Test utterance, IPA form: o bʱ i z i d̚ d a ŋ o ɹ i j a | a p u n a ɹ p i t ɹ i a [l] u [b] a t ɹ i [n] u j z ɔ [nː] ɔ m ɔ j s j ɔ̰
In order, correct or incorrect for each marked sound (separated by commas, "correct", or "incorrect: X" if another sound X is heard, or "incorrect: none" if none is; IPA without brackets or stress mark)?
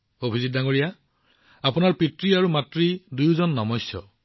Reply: incorrect: ɹ, incorrect: m, incorrect: d, correct